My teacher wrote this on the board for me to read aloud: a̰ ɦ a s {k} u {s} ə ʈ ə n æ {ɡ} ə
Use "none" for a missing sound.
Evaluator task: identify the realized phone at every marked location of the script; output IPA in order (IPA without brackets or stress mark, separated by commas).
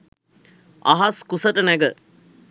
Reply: k, s, ɡ